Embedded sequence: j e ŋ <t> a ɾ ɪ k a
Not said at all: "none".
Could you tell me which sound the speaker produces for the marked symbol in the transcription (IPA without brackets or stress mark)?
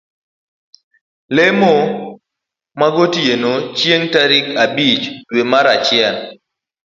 t